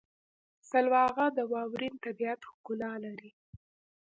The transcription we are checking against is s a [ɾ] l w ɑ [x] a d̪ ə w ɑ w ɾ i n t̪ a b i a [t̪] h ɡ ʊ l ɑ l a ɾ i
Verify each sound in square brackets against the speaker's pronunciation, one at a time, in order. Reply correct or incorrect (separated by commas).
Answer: incorrect, incorrect, correct